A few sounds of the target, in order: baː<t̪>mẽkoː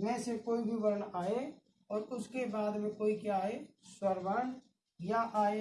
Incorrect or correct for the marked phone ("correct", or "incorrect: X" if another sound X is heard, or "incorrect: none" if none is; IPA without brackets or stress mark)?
incorrect: d̪